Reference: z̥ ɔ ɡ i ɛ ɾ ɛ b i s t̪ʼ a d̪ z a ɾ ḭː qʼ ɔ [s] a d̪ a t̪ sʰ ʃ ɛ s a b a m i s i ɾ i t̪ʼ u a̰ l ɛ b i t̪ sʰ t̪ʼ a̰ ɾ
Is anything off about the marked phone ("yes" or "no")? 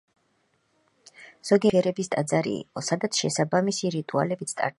no